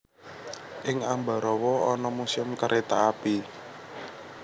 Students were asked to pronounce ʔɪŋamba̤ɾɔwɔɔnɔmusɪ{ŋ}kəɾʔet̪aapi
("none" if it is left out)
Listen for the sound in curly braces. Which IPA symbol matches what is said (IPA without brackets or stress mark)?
m